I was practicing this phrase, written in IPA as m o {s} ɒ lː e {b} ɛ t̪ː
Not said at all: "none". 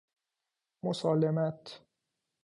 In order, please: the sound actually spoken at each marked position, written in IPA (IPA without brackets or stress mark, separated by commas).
s, m